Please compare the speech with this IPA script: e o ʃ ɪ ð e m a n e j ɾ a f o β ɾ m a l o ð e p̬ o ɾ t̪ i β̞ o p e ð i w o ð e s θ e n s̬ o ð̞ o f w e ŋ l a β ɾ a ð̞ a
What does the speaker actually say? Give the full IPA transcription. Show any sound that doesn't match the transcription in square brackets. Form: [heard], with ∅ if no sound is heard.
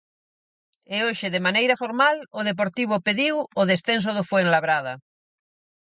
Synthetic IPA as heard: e o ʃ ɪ ð e m a n e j ɾ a f o [∅] ɾ m a l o ð e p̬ o ɾ t̪ i β̞ o p e ð i w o ð e s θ e n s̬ o ð̞ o f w e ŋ l a β ɾ a ð̞ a